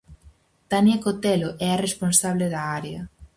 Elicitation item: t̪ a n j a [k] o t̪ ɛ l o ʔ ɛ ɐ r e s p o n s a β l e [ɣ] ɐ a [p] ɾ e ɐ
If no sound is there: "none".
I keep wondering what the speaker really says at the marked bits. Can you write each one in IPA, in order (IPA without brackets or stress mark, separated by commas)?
k, ð, none